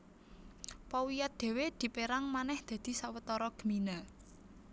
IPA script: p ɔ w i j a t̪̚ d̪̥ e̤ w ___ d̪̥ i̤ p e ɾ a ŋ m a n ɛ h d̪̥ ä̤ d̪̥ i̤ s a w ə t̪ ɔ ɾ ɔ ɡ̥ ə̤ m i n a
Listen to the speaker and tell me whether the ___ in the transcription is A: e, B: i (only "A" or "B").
A